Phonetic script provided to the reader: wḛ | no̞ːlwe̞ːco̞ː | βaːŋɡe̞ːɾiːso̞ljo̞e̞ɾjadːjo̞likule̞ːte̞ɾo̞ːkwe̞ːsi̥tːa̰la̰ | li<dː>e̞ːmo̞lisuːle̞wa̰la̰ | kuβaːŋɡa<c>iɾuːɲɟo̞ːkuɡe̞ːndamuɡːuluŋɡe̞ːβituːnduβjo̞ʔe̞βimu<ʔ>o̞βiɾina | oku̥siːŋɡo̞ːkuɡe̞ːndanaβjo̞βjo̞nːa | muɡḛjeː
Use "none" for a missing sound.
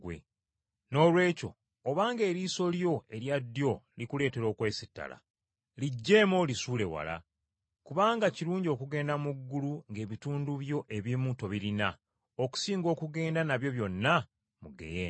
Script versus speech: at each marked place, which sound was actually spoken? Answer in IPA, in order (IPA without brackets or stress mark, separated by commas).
ɟː, c, t